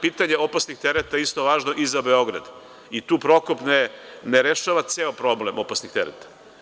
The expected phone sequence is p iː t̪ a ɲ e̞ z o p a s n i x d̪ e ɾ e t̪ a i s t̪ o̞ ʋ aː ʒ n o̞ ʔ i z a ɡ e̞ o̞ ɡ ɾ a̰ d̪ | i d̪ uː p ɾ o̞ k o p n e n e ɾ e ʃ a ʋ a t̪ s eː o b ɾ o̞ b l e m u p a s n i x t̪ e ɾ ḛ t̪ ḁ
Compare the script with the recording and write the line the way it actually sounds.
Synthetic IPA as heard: p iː t̪ a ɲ e̞ o p a s n i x t̪ e ɾ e t̪ a i s t̪ o̞ ʋ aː ʒ n o̞ ʔ i z a b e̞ o̞ ɡ ɾ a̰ d̪ | i t̪ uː p ɾ o̞ k o p n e n e ɾ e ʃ a ʋ a t̪ s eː o p ɾ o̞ b l e m o p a s n i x t̪ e ɾ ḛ t̪ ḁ

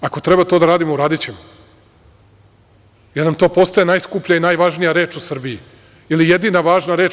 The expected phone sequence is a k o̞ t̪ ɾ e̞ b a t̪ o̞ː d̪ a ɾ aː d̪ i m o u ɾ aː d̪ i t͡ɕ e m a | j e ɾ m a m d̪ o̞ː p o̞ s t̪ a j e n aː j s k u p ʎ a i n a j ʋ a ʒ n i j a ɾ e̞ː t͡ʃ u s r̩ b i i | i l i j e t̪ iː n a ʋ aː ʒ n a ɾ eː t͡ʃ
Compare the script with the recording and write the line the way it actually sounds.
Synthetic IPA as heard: a k o̞ t̪ ɾ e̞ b a t̪ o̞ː d̪ a ɾ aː d̪ i m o u ɾ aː d̪ i t͡ɕ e m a | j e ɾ n a m t̪ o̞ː p o̞ s t̪ a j e n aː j s k u p ʎ a i n a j ʋ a ʒ n i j a ɾ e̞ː t͡ʃ u s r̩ b i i | i l i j e d̪ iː n a ʋ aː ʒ n a ɾ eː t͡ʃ

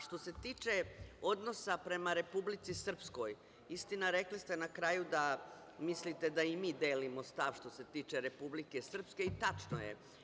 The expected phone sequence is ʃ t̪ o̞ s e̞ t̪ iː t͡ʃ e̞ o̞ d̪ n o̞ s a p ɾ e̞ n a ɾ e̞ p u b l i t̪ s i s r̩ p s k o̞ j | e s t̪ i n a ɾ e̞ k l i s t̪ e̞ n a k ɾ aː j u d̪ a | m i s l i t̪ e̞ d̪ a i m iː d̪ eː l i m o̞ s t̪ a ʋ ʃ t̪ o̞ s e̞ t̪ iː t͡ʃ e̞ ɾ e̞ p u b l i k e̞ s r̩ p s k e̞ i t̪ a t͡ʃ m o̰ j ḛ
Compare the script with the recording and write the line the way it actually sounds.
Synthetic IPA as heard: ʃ t̪ o̞ s e̞ t̪ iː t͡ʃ e̞ o̞ d̪ n o̞ s a p ɾ e̞ m a ɾ e̞ p u b l i t̪ s i s r̩ p s k o̞ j | i s t̪ i n a ɾ e̞ k l i s t̪ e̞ n a k ɾ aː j u d̪ a | m i s l i t̪ e̞ d̪ a i m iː d̪ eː l i m o̞ s t̪ a ʋ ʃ t̪ o̞ s e̞ t̪ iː t͡ʃ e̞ ɾ e̞ p u b l i k e̞ s r̩ p s k e̞ i t̪ a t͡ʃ n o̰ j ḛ

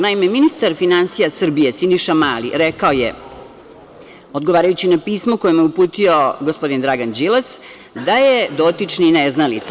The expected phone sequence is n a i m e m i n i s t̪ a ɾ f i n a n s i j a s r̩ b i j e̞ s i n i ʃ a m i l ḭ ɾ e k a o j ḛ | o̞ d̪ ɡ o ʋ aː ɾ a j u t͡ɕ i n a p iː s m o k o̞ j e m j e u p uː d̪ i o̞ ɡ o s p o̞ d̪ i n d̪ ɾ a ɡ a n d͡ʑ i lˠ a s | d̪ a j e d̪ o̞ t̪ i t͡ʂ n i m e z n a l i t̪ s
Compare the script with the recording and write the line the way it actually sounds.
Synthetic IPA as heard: n a i m e m i n i s t̪ a ɾ f i n a n s i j a s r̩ b i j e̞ s i n i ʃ a m a l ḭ ɾ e k a o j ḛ | o̞ d̪ ɡ o ʋ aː ɾ a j u t͡ɕ i n a p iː s m o k o̞ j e m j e u p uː t̪ i o̞ ɡ o s p o̞ d̪ i n d̪ ɾ a ɡ a n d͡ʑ i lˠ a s | d̪ a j e d̪ o̞ t̪ i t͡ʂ n i n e z n a l i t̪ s

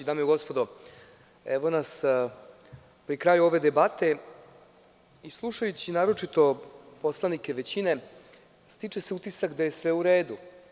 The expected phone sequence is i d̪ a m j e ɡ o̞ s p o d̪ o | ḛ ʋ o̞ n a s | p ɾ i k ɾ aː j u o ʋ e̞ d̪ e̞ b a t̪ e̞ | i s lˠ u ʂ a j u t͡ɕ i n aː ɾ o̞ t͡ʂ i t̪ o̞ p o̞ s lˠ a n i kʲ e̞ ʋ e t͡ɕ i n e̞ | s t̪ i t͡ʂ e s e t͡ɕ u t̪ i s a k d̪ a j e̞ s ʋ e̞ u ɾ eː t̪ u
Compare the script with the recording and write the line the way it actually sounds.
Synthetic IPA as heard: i d̪ a m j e ɡ o̞ s p o d̪ o | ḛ ʋ o̞ n a s | p ɾ i k ɾ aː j u o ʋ e̞ d̪ e̞ b a t̪ e̞ | i s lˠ u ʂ a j u t͡ɕ i n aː ɾ o̞ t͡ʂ i t̪ o̞ p o̞ s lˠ a n i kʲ e̞ ʋ e t͡ɕ i n e̞ | s t̪ i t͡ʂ e s e u t̪ i s a k d̪ a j e̞ s ʋ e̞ u ɾ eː d̪ u

